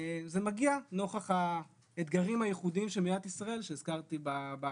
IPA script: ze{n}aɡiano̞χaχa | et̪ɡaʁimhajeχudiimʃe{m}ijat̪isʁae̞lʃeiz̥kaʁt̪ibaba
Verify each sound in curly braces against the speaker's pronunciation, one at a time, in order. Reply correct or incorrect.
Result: incorrect, correct

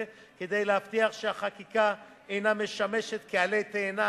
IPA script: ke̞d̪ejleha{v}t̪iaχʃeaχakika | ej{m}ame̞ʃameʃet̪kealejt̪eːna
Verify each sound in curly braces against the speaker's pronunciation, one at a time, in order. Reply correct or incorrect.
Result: incorrect, incorrect

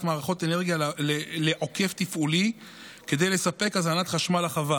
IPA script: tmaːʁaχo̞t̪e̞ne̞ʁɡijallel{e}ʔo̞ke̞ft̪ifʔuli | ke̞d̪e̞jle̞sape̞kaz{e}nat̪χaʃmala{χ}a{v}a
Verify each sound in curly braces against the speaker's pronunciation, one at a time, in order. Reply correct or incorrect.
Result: correct, incorrect, correct, correct

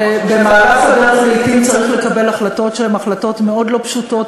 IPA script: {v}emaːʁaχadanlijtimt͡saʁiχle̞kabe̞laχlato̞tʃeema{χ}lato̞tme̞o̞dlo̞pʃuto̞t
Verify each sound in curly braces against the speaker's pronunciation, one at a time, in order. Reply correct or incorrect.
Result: incorrect, correct

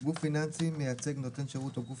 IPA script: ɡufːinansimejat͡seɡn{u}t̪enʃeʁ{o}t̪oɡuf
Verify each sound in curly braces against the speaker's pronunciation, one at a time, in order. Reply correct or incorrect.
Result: incorrect, incorrect

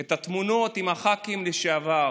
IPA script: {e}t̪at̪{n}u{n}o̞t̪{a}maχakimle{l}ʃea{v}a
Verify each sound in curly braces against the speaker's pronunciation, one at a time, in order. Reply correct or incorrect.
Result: correct, incorrect, correct, incorrect, incorrect, correct

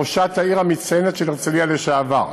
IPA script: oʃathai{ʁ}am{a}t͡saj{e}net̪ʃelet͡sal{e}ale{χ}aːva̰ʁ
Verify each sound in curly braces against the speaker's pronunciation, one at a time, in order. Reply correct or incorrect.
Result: correct, incorrect, correct, incorrect, incorrect

